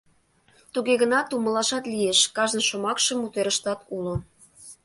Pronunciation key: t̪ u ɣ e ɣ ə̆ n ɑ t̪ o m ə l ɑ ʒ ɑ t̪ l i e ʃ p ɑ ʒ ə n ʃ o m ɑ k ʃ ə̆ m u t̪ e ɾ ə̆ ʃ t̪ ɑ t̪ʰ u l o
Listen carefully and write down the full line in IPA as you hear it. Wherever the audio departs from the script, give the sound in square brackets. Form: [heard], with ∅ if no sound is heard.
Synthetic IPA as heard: t̪ u ɣ e ɣ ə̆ n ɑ t̪ [u] m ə l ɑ [ʃ] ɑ t̪ l i e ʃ [k] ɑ ʒ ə n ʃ o m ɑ k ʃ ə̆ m u t̪ e ɾ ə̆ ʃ t̪ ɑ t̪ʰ u l o